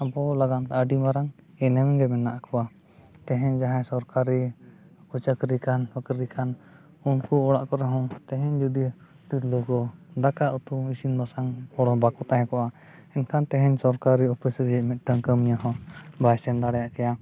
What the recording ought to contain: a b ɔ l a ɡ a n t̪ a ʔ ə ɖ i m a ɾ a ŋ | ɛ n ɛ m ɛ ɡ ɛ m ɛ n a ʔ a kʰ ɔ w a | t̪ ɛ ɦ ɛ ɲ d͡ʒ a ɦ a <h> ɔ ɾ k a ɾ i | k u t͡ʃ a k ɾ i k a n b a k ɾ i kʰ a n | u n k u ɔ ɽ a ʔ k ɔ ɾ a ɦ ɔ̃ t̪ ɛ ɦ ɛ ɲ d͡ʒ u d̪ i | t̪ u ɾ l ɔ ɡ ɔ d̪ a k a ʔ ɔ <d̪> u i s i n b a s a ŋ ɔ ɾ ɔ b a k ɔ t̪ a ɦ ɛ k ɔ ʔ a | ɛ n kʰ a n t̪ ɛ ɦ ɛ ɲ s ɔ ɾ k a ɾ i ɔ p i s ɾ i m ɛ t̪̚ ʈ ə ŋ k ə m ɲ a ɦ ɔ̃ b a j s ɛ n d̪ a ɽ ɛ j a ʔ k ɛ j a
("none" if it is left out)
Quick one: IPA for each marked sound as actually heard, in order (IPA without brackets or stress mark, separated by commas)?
s, t̪